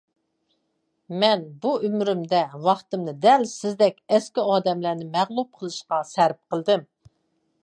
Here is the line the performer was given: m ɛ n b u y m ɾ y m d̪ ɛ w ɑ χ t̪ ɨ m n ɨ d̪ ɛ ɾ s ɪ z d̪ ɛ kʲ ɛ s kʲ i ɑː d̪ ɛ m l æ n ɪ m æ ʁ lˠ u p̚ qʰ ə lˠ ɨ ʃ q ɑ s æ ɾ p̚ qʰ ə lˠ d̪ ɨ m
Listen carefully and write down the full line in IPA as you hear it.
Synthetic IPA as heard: m ɛ n b u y m ɾ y m d̪ ɛ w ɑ χ t̪ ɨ m n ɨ d̪ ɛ l s ɪ z d̪ ɛ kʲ ɛ s kʲ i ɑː d̪ ɛ m l æ n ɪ m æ ʁ lˠ u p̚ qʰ ə lˠ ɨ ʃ q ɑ s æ ɾ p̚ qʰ ə lˠ d̪ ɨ m